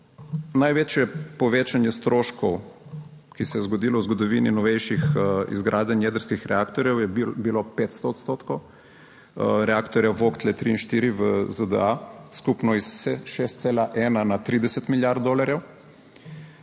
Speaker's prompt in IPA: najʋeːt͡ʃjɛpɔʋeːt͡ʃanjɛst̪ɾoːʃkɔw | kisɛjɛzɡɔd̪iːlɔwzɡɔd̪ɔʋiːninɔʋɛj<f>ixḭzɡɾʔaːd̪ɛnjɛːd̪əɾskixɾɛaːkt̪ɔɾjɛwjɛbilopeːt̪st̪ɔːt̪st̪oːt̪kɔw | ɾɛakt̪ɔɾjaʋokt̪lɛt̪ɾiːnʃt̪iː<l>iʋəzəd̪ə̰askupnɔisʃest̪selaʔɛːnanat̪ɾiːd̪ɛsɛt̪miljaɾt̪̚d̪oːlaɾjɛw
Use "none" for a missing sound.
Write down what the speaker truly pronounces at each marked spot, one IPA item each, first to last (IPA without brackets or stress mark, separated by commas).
ʃ, ɾ